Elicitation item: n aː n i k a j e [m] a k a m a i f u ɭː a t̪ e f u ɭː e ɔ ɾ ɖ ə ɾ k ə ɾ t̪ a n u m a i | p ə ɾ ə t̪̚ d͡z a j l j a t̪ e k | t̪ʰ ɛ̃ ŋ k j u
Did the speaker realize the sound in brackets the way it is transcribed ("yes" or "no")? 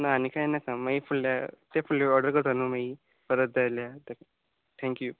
no